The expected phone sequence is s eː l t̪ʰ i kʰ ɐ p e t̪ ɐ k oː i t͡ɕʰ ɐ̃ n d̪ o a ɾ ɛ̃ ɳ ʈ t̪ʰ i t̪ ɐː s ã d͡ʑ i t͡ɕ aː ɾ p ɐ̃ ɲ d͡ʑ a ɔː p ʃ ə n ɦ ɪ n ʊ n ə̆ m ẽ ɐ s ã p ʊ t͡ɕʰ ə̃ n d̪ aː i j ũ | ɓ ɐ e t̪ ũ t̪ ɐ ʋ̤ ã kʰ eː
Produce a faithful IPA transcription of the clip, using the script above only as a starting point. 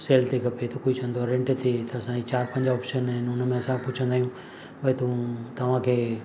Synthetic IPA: s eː l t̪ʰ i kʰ ɐ p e t̪ ɐ k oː i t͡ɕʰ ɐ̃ n d̪ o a ɾ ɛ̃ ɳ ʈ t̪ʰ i t̪ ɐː s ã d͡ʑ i t͡ɕ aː ɾ p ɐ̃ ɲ d͡ʑ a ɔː p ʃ ə n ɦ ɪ n ʊ n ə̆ m ẽ ɐ s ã p ʊ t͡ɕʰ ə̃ n d̪ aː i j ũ | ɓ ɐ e t̪ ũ t̪ ɐ ʋ̤ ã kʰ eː